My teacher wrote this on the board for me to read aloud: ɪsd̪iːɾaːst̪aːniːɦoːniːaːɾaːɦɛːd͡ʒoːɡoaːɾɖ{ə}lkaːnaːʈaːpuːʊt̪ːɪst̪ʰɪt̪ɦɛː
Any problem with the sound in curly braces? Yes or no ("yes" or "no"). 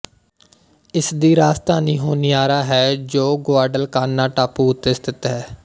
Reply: no